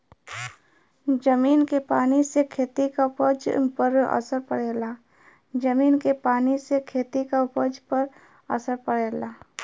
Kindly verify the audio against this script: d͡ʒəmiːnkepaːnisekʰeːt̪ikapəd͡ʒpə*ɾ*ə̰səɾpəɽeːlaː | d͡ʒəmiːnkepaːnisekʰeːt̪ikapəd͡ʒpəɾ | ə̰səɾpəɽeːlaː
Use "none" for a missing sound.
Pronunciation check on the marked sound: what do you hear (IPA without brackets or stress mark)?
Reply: ɾ